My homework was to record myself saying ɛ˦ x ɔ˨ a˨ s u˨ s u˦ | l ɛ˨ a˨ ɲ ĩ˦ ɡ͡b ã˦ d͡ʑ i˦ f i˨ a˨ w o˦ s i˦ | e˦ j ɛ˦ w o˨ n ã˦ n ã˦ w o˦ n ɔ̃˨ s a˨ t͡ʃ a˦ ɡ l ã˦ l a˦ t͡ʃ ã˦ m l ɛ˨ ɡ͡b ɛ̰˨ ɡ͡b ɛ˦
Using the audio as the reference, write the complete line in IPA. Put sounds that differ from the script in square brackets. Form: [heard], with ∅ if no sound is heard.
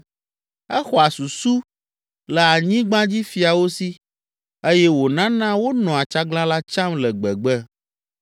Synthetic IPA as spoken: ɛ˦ x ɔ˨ a˨ s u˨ s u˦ | l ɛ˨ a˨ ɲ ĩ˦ ɡ͡b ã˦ d͡ʑ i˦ f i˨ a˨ w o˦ s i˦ | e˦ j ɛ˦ w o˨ n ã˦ n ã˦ w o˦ n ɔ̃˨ [∅] a˨ t͡ʃ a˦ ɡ l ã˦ l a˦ t͡ʃ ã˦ m l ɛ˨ ɡ͡b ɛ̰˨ ɡ͡b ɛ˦